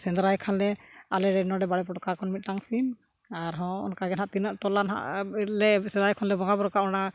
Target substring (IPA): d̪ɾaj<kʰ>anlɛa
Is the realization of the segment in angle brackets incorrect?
no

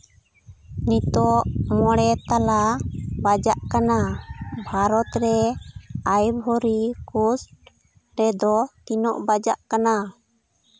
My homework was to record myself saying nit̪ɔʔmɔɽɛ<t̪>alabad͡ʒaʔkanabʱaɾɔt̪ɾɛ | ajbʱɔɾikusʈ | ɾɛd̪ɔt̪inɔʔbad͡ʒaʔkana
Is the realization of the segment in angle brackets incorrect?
no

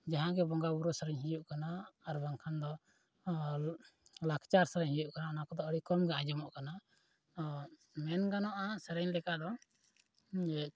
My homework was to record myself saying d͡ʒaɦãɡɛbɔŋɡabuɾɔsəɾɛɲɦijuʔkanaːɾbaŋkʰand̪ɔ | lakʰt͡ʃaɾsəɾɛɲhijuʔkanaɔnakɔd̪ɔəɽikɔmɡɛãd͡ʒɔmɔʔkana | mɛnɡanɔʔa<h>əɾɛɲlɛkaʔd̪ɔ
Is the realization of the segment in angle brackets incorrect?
yes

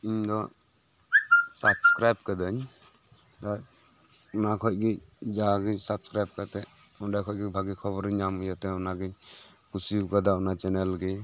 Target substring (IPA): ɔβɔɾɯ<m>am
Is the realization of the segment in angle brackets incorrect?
yes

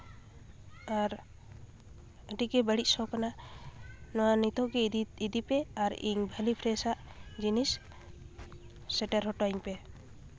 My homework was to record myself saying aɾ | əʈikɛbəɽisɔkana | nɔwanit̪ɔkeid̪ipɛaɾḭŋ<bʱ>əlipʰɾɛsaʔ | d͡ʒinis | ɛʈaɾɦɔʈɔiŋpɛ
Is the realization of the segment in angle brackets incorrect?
no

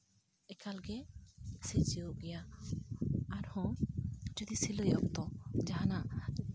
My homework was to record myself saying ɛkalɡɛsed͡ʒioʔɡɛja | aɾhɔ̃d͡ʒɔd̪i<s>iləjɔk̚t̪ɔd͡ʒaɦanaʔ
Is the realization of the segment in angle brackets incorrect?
no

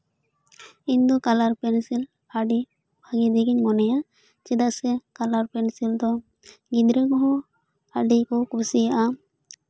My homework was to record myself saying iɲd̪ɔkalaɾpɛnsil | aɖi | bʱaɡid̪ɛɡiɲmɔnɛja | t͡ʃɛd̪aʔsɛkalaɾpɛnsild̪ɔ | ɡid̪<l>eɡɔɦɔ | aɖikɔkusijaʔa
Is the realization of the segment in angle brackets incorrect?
yes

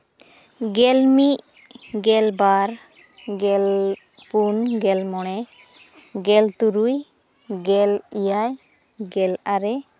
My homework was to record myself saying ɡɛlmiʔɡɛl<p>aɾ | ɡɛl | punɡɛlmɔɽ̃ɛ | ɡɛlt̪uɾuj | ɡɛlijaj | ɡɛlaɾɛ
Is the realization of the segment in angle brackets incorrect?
yes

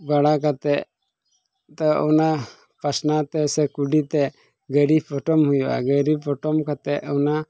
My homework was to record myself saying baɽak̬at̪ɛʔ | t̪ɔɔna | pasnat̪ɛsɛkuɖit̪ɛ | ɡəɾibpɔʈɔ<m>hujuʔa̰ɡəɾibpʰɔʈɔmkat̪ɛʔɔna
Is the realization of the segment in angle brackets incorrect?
no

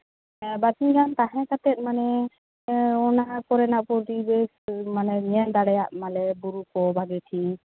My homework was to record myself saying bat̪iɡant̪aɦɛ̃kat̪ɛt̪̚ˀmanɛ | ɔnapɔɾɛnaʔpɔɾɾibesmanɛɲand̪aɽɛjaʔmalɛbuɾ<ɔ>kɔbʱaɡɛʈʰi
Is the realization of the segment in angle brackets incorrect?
yes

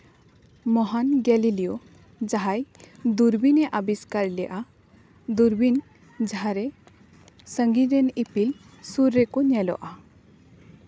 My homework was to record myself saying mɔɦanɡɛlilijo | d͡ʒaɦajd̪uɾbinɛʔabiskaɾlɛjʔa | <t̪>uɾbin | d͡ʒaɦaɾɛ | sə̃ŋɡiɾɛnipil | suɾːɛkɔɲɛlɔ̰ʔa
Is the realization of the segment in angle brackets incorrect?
yes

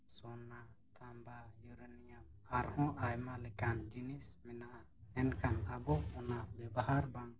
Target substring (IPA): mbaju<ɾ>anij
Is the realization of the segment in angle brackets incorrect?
no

